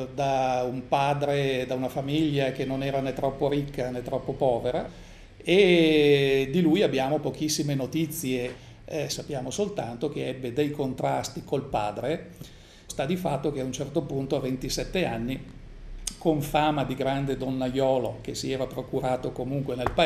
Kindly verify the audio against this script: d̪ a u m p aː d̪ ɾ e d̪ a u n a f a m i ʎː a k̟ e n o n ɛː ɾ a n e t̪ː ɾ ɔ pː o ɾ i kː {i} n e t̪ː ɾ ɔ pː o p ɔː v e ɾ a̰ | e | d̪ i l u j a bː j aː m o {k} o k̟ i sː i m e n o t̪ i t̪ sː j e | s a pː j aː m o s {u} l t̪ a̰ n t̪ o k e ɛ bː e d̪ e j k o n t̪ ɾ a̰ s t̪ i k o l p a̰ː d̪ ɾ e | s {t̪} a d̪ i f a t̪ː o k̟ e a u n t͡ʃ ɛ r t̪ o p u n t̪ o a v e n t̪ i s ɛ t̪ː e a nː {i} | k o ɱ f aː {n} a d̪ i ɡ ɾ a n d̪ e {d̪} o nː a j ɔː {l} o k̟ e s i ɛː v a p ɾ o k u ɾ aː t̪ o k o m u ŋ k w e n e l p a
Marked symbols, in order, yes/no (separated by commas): no, no, no, yes, yes, no, yes, yes